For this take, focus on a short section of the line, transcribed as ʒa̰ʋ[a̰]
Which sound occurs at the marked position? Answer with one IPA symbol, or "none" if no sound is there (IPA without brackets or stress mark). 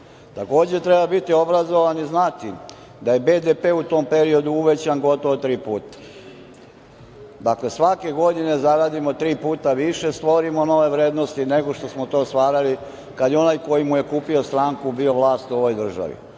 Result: ḭ